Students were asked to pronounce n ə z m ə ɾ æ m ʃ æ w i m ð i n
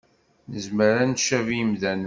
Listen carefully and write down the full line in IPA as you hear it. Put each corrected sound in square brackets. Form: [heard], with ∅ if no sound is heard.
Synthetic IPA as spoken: n ə z m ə ɾ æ [n] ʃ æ [v] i m ð [æ] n